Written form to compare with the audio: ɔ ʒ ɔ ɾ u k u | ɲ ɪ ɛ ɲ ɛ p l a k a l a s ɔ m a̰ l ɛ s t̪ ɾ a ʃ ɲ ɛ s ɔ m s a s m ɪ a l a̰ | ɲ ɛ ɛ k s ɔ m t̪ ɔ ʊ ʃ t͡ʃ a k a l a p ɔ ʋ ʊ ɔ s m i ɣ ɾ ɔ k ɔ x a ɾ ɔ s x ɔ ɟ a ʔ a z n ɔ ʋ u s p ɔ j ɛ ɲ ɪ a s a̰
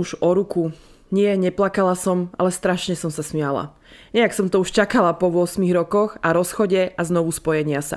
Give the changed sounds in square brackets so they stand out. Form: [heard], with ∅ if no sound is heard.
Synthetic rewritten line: [u] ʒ ɔ ɾ u k u | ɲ ɪ ɛ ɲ ɛ p l a k a l a s ɔ m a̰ l ɛ s t̪ ɾ a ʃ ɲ ɛ s ɔ m s a s m ɪ a l a̰ | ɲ ɛ [a] k s ɔ m t̪ ɔ [u] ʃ t͡ʃ a k a l a p ɔ ʋ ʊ ɔ s m i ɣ ɾ ɔ k ɔ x a ɾ ɔ s x ɔ ɟ [ɛ] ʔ a z n ɔ ʋ u s p ɔ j ɛ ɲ ɪ a s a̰